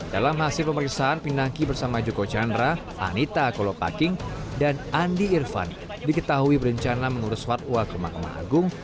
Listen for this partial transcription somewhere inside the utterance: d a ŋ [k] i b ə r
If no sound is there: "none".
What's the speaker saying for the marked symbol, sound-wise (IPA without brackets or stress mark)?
k